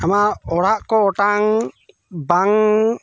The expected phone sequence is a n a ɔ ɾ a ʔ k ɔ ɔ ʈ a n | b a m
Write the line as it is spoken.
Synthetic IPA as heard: a m a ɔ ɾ a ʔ k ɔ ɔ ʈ a ŋ | b a ŋ